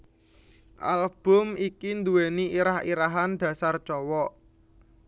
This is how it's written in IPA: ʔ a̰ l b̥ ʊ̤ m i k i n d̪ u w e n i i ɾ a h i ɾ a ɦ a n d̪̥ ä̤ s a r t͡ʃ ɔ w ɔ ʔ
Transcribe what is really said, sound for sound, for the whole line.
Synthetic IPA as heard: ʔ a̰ l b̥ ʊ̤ m i k i n d̪ u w e n i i ɾ a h i ɾ a ɦ a n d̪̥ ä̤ s a r t͡ʃ ɔ w ɔ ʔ